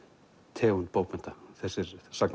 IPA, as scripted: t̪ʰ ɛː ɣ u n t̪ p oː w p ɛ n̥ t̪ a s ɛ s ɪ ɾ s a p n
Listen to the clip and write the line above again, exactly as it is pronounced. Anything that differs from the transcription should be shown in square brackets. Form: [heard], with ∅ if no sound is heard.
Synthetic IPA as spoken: t̪ʰ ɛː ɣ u n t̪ p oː w p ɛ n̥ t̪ a [θ] ɛ s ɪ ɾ s a [k] n